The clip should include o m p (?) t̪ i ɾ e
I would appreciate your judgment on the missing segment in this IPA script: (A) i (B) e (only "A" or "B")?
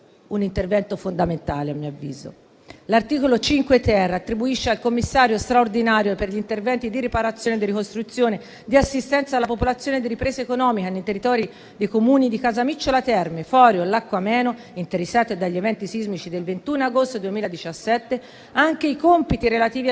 A